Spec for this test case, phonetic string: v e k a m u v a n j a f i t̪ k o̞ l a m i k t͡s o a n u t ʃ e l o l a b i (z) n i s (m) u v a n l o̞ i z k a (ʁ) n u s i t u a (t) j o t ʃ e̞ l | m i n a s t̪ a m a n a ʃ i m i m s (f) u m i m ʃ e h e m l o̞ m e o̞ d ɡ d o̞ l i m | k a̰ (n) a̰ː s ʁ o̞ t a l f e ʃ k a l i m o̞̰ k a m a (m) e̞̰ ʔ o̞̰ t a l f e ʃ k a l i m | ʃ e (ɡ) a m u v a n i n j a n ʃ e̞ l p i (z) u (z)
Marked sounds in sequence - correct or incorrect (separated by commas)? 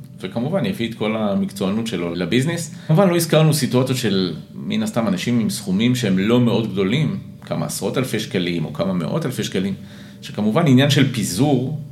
correct, correct, correct, incorrect, incorrect, incorrect, correct, incorrect, correct, incorrect